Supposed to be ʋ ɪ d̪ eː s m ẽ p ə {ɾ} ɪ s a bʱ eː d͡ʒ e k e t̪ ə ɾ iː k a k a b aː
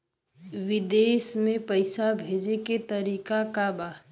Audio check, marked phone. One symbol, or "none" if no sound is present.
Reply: none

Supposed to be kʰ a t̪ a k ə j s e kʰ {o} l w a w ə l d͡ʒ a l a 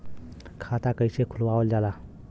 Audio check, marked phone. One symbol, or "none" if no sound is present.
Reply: u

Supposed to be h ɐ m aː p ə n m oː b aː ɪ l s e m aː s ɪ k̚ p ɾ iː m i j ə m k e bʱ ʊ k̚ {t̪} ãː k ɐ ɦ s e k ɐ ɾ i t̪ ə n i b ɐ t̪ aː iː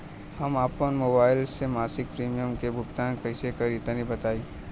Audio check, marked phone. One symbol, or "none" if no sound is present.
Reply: t̪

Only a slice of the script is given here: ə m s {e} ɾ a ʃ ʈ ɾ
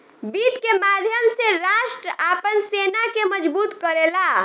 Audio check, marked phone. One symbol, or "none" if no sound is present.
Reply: e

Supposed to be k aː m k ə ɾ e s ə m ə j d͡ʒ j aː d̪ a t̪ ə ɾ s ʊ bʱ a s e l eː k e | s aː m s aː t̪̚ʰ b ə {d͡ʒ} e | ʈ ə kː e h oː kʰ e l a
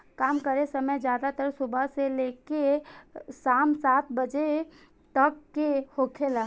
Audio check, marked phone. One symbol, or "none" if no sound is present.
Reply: d͡ʒ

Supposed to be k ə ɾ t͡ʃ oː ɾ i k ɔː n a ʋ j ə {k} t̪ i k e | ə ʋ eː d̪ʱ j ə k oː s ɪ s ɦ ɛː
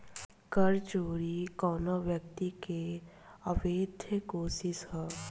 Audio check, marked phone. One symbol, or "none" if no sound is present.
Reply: k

